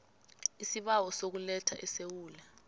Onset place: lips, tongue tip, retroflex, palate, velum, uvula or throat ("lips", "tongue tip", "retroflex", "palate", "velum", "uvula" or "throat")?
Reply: tongue tip